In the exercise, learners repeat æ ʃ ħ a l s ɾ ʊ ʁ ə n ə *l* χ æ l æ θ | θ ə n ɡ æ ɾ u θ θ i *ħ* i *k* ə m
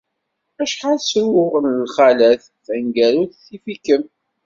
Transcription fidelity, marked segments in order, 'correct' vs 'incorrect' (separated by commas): correct, incorrect, correct